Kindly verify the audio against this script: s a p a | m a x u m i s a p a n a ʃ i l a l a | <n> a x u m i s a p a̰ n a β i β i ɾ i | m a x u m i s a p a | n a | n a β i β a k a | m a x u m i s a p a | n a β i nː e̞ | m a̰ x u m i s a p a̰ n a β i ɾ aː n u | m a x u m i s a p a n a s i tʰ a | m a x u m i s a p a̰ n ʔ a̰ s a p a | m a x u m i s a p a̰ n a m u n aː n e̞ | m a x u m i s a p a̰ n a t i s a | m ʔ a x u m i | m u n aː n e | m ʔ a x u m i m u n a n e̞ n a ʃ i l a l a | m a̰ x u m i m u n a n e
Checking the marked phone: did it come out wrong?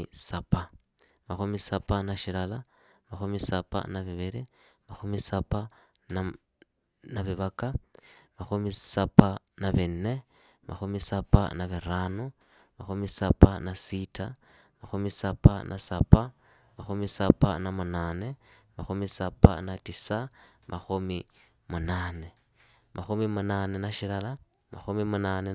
yes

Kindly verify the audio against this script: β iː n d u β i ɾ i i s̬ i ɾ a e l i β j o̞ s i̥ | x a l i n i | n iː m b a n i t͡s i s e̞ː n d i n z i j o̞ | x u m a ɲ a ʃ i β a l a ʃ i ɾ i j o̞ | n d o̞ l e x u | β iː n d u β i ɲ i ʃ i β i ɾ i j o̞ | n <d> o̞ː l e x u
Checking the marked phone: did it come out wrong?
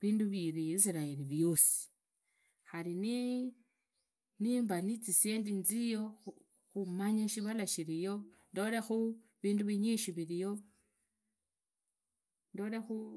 no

